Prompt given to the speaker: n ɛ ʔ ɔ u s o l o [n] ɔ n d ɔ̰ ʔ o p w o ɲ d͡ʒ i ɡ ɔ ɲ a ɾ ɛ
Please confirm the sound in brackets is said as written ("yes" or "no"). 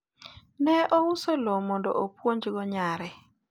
no